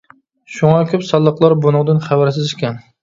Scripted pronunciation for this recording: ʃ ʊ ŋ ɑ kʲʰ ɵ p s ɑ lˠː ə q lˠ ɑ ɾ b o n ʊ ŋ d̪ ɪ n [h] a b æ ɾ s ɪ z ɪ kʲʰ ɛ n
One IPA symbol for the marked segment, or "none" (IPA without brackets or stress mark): χ